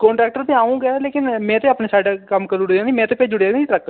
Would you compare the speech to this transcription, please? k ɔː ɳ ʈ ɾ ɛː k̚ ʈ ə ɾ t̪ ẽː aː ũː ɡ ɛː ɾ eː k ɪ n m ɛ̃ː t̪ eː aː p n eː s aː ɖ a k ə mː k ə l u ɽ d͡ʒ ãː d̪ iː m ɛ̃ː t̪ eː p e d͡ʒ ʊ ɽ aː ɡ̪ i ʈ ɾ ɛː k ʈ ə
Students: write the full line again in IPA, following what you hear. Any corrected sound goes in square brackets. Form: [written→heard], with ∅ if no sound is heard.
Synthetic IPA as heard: k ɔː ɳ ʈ ɾ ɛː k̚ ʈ ə ɾ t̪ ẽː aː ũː ɡ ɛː [ɾ→l] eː k ɪ n m ɛ̃ː t̪ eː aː p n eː s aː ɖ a k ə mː k ə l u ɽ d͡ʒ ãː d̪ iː m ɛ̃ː t̪ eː p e d͡ʒ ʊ ɽ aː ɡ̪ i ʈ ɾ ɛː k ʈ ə

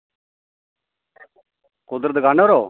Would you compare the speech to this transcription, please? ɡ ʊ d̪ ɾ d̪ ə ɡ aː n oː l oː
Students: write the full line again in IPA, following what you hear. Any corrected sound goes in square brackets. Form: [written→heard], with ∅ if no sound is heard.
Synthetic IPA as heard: [ɡ→k] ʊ d̪ ɾ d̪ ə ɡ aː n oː [l→ɾ] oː

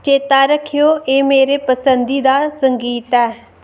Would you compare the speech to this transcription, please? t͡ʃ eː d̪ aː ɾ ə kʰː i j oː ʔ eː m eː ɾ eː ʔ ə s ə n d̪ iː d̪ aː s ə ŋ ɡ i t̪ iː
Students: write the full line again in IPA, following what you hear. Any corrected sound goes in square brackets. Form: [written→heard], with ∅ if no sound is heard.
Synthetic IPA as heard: t͡ʃ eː [d̪→t̪] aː ɾ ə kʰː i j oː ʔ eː m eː ɾ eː [ʔ→p] ə s ə n d̪ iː d̪ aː s ə ŋ ɡ [i→iː] t̪ [iː→ɛː]

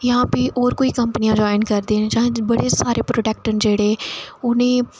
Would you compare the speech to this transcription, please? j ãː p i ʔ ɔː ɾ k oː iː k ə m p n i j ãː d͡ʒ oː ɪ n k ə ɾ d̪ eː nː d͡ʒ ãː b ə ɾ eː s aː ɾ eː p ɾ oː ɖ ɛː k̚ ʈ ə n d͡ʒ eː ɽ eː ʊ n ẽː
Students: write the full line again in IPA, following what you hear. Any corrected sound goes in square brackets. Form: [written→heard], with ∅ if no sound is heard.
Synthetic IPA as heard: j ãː p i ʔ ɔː ɾ k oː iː k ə m p n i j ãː d͡ʒ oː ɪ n k ə ɾ d̪ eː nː d͡ʒ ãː b ə [ɾ→ɽ] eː s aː ɾ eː p ɾ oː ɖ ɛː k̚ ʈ ə n d͡ʒ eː ɽ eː ʊ n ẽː

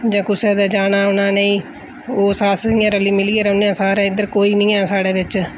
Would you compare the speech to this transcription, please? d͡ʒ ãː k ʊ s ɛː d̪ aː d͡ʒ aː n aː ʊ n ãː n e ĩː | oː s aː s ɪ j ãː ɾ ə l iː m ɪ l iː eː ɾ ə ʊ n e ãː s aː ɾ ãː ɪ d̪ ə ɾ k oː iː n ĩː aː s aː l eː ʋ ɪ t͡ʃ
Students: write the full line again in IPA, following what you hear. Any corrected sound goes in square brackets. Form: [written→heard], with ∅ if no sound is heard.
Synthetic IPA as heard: d͡ʒ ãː k ʊ s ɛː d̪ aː d͡ʒ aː n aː ʊ n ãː n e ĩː | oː s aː s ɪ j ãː ɾ ə l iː m ɪ l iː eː ɾ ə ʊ n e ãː s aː ɾ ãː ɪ d̪ ə ɾ k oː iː n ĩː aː s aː [l→ɽ] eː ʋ ɪ t͡ʃ

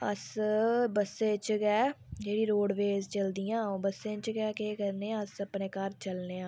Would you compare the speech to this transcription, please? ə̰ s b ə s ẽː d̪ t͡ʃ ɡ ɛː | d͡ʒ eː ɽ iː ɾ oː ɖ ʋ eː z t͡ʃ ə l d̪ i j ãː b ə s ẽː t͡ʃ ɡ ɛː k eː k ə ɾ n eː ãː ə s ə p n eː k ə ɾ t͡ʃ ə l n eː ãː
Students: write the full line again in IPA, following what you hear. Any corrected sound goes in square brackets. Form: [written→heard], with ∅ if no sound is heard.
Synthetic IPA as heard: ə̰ s b ə s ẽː [d̪→∅] t͡ʃ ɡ ɛː | d͡ʒ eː ɽ iː ɾ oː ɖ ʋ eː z t͡ʃ ə l d̪ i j ãː b ə s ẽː t͡ʃ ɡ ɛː k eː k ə ɾ n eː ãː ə s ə p n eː k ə ɾ t͡ʃ ə l n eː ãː

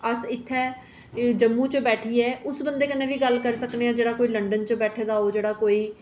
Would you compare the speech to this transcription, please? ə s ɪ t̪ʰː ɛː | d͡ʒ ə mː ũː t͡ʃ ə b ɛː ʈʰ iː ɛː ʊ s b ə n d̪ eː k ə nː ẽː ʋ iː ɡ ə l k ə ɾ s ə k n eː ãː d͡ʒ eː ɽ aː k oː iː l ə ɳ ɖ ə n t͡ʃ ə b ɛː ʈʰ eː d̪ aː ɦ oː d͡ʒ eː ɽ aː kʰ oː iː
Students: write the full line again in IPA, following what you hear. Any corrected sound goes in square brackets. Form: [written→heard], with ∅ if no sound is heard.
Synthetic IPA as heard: ə s ɪ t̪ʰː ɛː | d͡ʒ ə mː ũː t͡ʃ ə b ɛː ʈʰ iː ɛː ʊ s b ə n d̪ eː k ə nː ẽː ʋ iː ɡ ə l k ə ɾ s ə k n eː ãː d͡ʒ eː ɽ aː k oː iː l ə ɳ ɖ ə n t͡ʃ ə b ɛː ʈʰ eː d̪ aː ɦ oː d͡ʒ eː ɽ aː [kʰ→k] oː iː

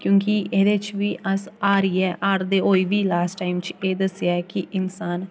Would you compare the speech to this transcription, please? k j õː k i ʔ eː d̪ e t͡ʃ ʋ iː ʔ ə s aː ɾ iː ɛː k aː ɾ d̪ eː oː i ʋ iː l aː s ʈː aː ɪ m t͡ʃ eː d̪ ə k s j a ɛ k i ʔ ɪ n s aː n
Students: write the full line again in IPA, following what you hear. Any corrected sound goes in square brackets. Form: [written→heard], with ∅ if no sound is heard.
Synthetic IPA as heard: k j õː k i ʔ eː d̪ e t͡ʃ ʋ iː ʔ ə s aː ɾ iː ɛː [k→ʔ] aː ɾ d̪ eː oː i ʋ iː l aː s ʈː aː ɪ m t͡ʃ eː d̪ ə [k→∅] s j a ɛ k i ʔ ɪ n s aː n

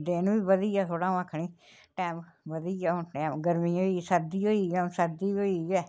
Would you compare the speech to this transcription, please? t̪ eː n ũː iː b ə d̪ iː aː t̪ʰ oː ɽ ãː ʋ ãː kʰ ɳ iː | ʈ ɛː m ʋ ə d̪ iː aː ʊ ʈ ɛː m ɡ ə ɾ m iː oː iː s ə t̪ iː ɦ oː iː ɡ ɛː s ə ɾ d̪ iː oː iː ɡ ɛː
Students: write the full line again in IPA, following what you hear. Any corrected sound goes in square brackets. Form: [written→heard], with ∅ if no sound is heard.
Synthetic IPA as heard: [t̪→d̪] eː n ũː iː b ə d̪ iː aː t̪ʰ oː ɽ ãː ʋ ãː kʰ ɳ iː | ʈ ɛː m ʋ ə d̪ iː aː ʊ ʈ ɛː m ɡ ə ɾ m iː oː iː s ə [t̪→d̪] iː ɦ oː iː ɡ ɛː s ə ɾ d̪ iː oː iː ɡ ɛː

